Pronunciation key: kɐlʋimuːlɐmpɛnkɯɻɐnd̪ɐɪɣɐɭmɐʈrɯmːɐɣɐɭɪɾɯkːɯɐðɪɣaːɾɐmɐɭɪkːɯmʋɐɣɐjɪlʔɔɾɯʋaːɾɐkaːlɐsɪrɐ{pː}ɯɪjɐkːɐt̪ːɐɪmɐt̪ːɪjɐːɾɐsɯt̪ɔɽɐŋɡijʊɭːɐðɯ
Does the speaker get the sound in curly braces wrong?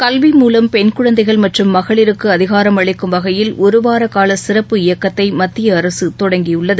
no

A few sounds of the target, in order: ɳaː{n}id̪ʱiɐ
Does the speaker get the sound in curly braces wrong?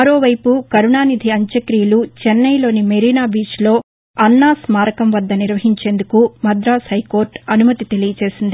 no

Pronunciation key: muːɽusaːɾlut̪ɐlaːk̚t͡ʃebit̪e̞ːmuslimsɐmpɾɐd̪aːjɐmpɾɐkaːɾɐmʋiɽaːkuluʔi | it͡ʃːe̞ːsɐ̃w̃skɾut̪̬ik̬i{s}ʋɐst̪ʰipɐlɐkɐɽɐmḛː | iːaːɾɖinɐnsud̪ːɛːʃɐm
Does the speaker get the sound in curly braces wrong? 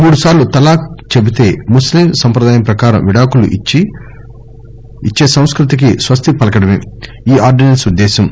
no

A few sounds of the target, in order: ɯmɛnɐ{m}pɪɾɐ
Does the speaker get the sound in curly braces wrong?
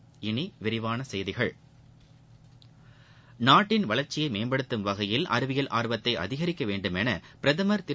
yes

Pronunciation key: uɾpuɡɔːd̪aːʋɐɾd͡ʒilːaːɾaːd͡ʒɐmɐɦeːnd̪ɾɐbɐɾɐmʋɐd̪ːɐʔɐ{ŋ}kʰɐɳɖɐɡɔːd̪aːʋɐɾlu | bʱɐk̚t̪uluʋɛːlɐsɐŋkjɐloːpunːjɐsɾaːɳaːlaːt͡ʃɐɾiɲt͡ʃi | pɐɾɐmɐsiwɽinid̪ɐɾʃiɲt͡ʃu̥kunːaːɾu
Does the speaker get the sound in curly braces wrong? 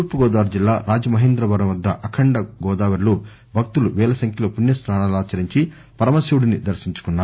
yes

